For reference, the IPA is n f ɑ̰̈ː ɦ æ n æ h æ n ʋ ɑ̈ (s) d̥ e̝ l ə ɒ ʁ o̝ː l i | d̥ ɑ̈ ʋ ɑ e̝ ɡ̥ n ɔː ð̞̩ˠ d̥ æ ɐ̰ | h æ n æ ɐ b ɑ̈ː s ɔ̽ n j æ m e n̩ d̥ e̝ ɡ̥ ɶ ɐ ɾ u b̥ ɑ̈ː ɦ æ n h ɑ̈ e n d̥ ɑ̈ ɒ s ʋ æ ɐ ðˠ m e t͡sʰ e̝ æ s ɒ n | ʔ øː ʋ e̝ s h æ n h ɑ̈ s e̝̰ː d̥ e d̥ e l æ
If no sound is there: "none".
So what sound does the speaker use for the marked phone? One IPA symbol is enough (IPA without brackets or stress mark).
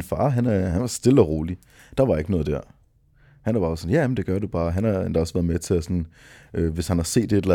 s